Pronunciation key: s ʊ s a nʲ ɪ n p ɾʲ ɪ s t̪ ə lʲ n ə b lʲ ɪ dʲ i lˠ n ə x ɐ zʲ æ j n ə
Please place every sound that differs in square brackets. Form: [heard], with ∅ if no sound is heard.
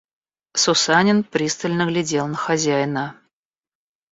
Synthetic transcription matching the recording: s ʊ s a nʲ ɪ n p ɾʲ [i] s t̪ ə lʲ n ə [ɡ] lʲ ɪ dʲ [e] lˠ n ə x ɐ zʲ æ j n ə